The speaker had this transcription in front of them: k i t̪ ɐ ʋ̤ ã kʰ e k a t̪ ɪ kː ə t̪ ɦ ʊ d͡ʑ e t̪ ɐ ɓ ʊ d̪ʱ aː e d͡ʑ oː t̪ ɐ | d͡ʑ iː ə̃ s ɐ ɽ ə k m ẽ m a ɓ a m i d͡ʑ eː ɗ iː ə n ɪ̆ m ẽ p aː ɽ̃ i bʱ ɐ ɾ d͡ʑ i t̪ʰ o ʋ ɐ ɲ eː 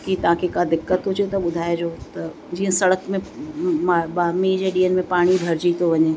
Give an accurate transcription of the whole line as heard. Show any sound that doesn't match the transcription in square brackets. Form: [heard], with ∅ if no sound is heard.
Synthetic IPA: k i t̪ ɐ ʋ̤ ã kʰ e k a [d̪] ɪ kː ə t̪ ɦ ʊ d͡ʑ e t̪ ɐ ɓ ʊ d̪ʱ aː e d͡ʑ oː t̪ ɐ | d͡ʑ iː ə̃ s ɐ ɽ ə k m ẽ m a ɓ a m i d͡ʑ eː ɗ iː ə n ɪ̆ m ẽ p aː ɽ̃ i bʱ ɐ ɾ d͡ʑ i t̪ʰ o ʋ ɐ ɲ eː

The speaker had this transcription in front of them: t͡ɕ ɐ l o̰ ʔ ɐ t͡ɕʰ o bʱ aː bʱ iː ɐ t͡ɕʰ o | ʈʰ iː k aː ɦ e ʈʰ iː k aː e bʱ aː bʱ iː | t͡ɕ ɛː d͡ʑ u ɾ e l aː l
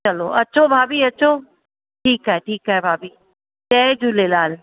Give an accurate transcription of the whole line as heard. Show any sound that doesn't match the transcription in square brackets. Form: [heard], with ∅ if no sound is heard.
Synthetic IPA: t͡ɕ ɐ l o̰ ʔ ɐ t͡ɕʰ o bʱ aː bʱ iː ɐ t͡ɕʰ o | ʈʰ iː k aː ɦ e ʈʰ iː k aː e bʱ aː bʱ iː | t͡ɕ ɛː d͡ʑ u [l] e l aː l

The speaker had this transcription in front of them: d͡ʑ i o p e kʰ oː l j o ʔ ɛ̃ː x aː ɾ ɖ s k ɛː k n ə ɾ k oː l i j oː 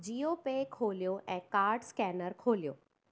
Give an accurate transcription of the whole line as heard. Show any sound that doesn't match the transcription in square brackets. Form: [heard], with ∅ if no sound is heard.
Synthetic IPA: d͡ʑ i o p e kʰ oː l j o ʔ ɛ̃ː [k] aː ɾ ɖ s k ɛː [∅] n ə ɾ [kʰ] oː l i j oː

